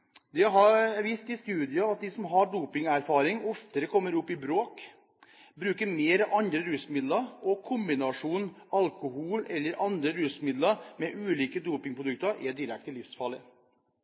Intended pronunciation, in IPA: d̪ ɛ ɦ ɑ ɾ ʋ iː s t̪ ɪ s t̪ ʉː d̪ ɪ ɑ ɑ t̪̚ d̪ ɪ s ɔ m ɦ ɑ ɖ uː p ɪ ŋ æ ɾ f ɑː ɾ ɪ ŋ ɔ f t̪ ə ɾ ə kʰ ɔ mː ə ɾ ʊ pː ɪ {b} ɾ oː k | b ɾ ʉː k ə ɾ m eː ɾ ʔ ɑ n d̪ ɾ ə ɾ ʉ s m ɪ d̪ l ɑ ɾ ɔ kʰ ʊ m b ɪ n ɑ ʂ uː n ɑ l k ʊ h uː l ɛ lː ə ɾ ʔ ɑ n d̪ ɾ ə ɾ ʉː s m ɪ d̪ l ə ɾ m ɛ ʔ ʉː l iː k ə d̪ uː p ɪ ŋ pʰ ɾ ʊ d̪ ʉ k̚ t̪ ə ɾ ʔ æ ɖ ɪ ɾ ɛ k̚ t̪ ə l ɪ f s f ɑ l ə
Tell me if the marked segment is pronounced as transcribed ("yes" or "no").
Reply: yes